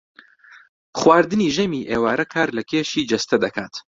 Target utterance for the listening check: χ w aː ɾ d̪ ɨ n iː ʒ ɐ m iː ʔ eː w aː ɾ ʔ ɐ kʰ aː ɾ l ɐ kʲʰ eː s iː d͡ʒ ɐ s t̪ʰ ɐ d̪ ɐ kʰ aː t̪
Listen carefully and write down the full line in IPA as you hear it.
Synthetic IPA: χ w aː ɾ d̪ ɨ n iː ʒ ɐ m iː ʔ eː w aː ɾ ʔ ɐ kʰ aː ɾ l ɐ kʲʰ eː ʃ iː d͡ʒ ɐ s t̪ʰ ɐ d̪ ɐ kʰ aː t̪